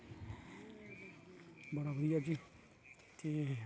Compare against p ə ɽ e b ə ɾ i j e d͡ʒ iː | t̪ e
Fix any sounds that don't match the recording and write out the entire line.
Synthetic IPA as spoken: b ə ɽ a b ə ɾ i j a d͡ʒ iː | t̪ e